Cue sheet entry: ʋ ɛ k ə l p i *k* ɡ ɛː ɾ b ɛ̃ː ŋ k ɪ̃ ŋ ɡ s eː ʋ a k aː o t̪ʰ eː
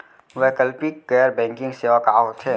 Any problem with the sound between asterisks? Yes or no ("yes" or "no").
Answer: no